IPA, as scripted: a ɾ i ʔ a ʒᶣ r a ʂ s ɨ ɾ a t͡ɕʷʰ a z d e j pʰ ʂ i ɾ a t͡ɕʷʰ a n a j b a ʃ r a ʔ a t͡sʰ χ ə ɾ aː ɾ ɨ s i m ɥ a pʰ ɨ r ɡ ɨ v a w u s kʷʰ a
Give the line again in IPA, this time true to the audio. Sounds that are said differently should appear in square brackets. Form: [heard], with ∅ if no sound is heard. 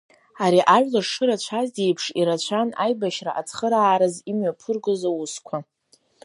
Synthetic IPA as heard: a ɾ i ʔ a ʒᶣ [l] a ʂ [ʂ] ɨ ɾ a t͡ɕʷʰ a z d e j pʰ ʂ i ɾ a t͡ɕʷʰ a n a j b a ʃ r a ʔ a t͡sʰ χ ə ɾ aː ɾ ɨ [z] i m ɥ a pʰ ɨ r ɡ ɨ [z] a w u s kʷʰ a